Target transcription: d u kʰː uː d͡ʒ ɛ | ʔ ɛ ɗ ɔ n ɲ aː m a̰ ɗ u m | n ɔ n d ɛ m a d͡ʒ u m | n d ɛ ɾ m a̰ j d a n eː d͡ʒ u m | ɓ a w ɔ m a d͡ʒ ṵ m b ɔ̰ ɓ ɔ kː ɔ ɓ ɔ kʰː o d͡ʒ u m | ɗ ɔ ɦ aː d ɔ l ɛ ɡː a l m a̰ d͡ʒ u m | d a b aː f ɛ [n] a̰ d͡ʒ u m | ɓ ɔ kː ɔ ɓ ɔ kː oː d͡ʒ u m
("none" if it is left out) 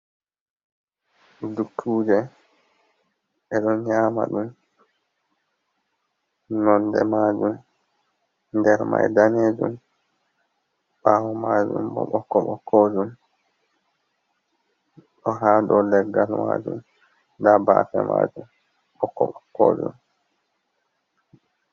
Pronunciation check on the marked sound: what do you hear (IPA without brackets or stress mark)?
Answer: m